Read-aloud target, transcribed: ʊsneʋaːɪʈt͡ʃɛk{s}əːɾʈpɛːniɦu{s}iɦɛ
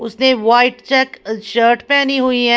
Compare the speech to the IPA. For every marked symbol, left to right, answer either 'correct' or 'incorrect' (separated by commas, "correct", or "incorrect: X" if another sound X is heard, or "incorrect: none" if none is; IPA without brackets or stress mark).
incorrect: ʃ, incorrect: none